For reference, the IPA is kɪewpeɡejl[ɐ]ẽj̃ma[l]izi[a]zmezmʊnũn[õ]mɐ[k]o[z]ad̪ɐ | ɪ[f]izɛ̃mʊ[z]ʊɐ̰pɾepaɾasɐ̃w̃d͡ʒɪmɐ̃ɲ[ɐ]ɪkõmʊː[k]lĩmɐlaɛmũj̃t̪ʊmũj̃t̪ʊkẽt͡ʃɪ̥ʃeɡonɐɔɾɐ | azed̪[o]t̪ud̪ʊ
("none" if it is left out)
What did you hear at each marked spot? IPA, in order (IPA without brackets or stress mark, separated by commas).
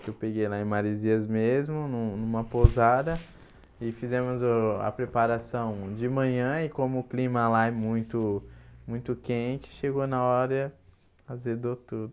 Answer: a, ɾ, ɐ, ũ, p, z, f, z, ɐ̃, k, o